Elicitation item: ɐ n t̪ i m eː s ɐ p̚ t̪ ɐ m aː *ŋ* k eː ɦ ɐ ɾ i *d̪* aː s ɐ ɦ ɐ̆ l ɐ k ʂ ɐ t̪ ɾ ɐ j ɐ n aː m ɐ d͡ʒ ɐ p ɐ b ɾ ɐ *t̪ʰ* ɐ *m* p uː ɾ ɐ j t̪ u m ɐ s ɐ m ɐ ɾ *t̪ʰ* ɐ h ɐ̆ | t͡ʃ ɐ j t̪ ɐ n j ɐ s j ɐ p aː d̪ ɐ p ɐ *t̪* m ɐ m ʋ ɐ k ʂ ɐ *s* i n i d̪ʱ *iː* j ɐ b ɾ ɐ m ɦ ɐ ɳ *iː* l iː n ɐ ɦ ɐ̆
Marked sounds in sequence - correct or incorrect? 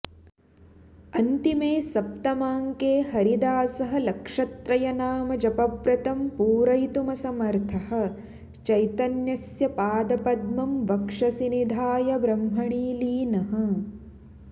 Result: correct, correct, incorrect, correct, correct, incorrect, correct, incorrect, correct

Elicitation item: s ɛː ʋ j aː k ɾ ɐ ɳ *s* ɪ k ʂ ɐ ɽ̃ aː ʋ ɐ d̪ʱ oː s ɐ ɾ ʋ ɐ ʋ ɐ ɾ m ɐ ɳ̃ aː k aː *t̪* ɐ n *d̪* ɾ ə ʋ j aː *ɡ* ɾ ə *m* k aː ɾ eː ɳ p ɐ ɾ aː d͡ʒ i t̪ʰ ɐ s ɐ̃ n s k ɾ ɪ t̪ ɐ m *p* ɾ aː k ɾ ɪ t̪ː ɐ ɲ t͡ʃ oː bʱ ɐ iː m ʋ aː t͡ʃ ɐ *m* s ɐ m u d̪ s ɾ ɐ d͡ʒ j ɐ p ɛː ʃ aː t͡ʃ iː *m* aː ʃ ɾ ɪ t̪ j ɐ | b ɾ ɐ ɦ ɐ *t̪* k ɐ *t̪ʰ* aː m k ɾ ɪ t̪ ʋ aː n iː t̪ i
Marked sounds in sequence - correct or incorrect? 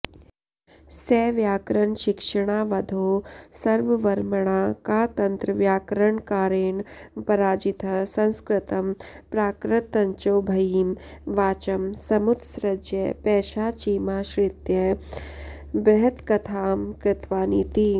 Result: incorrect, correct, incorrect, incorrect, incorrect, correct, correct, correct, correct, correct

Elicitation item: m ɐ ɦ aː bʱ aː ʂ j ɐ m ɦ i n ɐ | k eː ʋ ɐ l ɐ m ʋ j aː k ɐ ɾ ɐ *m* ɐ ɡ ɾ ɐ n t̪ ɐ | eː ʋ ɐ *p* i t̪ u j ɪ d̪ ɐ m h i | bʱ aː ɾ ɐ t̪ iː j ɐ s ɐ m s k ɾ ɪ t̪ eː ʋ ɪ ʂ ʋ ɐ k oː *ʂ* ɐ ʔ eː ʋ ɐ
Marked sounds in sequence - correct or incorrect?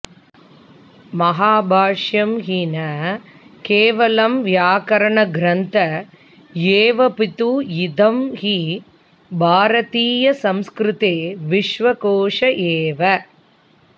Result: incorrect, correct, correct

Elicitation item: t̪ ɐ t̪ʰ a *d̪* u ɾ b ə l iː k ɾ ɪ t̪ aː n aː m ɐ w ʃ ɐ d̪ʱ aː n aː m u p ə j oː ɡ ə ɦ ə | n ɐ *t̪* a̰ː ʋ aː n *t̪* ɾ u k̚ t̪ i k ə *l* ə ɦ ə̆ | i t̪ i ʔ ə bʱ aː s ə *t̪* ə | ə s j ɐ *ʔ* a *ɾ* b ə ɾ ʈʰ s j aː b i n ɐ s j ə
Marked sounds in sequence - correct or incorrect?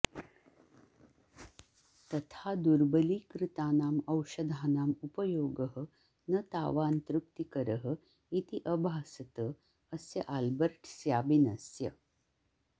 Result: correct, correct, correct, incorrect, correct, correct, incorrect

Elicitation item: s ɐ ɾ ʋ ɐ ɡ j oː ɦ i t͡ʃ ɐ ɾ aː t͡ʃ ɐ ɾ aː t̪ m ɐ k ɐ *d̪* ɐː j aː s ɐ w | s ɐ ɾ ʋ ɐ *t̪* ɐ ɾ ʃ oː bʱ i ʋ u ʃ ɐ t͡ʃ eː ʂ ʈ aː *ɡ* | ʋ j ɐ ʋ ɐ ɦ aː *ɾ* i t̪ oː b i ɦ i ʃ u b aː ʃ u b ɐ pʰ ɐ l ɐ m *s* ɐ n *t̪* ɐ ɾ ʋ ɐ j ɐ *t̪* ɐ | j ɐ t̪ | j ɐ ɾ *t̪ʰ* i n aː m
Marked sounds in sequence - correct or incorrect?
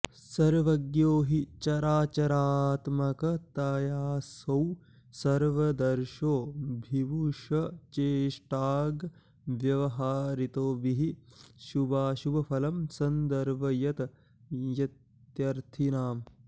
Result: incorrect, incorrect, correct, correct, correct, incorrect, correct, correct

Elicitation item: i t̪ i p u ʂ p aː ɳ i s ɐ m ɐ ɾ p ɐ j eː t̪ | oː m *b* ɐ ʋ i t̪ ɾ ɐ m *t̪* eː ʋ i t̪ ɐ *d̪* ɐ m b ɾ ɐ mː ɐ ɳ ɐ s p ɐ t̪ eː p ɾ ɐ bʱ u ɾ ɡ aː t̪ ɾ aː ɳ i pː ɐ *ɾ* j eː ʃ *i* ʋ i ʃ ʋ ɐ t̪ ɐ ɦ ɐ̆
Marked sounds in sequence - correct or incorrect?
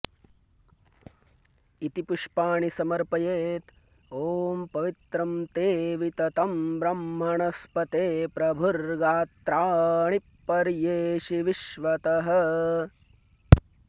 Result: incorrect, correct, incorrect, correct, correct

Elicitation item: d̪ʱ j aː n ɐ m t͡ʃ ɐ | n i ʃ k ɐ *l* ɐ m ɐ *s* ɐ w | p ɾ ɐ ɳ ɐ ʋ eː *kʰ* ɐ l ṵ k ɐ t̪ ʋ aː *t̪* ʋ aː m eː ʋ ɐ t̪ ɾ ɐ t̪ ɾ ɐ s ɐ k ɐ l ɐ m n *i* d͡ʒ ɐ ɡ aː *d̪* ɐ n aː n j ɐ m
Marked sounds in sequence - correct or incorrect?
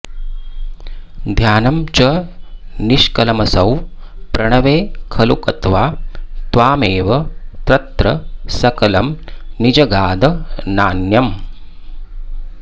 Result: correct, correct, correct, correct, correct, correct

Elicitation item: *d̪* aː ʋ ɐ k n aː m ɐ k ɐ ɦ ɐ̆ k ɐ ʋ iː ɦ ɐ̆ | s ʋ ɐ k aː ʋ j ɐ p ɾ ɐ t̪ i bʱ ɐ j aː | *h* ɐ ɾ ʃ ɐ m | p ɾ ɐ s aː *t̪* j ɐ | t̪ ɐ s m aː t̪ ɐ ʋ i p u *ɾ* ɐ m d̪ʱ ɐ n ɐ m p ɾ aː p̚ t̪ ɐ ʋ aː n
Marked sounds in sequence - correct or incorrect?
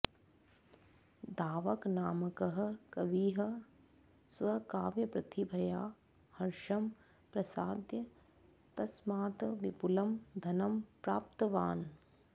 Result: correct, correct, incorrect, incorrect

